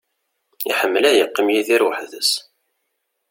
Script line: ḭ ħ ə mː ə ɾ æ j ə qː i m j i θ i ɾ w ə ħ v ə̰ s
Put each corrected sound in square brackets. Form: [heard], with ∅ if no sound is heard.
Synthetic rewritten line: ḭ ħ ə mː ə [l] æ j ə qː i m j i [ð] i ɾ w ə ħ [ð] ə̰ s